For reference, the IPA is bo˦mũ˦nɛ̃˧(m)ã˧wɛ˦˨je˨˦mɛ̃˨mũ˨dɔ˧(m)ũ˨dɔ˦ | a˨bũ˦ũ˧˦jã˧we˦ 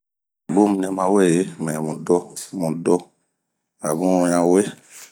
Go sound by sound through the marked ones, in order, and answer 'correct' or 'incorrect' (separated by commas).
correct, correct